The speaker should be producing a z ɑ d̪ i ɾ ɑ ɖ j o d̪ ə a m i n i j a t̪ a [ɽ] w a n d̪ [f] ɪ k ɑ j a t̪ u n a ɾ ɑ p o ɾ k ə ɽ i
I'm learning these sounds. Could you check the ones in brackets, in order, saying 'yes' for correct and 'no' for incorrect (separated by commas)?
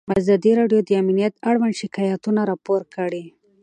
yes, no